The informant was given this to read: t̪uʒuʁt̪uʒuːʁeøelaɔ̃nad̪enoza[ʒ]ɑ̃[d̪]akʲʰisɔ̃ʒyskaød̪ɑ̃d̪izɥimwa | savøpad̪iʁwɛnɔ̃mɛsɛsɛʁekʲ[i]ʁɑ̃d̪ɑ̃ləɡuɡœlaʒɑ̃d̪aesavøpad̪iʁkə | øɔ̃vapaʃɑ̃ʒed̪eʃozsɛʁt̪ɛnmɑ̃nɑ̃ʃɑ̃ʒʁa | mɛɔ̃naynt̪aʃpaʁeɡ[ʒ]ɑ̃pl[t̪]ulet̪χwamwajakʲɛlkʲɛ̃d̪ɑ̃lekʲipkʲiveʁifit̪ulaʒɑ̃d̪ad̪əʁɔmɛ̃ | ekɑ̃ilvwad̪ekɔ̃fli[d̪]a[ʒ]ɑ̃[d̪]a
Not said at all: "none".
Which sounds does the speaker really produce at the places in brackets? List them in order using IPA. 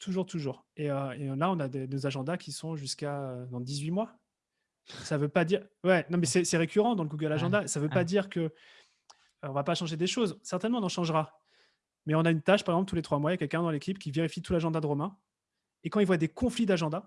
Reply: ʒ, d̪, y, z, t̪, d̪, ʒ, d̪

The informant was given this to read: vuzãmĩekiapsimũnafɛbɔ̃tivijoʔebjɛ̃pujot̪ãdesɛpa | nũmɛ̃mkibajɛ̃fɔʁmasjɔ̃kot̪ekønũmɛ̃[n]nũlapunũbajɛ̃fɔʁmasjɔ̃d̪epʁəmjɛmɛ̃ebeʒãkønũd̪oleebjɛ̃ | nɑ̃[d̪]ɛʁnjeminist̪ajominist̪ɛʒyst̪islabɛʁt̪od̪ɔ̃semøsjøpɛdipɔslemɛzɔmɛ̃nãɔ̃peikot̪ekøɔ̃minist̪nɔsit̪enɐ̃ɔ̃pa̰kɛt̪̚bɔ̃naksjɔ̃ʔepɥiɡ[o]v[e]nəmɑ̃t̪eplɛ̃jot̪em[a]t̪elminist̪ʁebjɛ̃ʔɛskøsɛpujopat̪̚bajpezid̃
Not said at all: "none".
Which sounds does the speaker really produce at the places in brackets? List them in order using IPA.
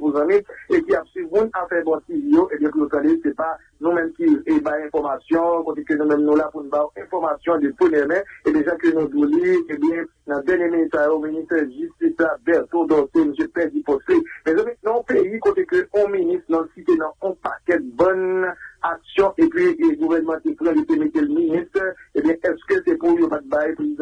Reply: m, d̪, u, ɛ, e

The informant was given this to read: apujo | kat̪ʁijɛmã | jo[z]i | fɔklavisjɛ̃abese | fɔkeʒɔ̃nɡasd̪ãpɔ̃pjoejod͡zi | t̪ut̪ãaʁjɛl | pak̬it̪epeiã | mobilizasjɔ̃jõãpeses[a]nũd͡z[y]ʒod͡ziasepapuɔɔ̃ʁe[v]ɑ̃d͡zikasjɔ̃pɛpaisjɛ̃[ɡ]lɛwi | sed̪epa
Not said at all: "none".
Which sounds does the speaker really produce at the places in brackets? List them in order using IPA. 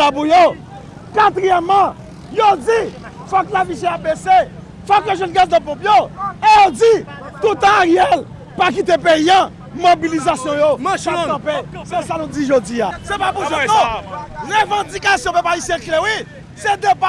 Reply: d͡z, a, i, v, k

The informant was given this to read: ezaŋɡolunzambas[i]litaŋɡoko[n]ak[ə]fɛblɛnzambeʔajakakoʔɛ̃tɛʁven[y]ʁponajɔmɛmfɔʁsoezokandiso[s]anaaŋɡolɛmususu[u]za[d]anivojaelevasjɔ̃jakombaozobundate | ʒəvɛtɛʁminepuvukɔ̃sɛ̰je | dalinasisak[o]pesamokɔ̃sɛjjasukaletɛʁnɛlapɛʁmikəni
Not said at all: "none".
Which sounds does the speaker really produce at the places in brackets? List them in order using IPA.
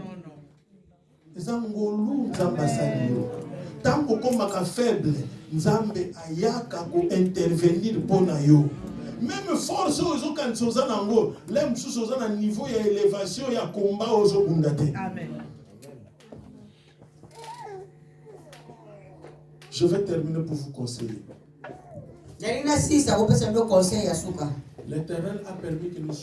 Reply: a, m, a, i, z, o, n, o

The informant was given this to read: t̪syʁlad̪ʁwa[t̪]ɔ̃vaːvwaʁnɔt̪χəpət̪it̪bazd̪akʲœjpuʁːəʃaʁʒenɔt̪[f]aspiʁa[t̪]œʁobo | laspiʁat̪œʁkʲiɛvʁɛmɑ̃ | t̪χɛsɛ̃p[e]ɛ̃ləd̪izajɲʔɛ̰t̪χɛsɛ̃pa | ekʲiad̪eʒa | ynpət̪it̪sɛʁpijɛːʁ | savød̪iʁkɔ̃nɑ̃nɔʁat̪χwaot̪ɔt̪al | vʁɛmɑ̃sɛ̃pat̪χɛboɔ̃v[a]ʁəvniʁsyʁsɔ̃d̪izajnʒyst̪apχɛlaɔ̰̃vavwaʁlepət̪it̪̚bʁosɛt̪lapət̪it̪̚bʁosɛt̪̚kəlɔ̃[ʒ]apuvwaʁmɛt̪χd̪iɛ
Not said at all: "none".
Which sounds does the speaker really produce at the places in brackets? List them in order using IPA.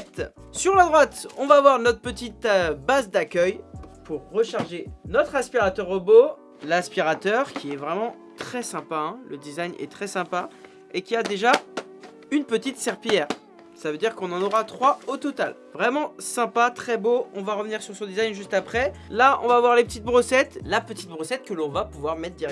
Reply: t̪, χ, t̪, a, a, v

